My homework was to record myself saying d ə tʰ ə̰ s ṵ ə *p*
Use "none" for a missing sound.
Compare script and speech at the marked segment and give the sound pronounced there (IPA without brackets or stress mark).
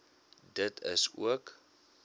k